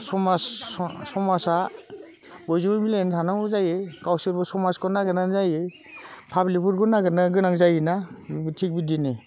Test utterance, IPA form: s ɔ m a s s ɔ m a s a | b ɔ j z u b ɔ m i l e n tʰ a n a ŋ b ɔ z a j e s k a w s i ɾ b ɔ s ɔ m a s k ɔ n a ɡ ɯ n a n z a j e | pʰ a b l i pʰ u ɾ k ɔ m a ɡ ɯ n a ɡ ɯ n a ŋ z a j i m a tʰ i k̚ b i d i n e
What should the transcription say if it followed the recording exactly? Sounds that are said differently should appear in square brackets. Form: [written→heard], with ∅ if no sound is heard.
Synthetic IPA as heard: s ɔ m a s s ɔ m a s a | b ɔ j z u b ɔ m i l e n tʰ a n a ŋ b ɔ z a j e [s→∅] k a w s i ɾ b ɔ s ɔ m a s k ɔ n a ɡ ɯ n a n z a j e | pʰ a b l i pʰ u ɾ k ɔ [m→n] a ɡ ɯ n a ɡ ɯ n a ŋ z a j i [m→n] a tʰ i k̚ b i d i n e